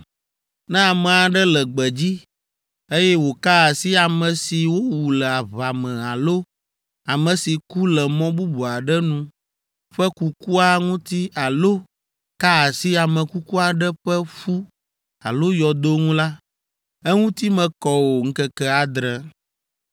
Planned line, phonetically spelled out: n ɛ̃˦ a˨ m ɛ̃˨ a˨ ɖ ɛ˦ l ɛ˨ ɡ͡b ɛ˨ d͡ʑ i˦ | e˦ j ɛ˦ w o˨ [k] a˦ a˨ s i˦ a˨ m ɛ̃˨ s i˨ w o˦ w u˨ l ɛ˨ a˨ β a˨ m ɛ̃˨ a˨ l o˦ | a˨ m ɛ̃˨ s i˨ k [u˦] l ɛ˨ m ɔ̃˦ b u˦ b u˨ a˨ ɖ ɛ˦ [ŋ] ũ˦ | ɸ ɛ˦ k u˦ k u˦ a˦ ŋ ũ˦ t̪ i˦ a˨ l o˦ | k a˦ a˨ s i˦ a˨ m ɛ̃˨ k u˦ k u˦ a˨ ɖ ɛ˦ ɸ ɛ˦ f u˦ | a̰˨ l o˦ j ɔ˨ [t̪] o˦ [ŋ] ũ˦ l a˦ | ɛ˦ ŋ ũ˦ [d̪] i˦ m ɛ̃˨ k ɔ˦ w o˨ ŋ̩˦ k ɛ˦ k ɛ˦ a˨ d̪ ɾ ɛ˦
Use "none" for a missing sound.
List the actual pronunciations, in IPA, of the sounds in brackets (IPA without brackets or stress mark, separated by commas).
k, u˦, n, d̪, ŋ, t̪